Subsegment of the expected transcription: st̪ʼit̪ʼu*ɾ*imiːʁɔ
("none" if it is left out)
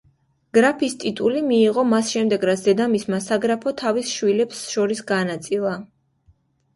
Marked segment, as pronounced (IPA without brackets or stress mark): l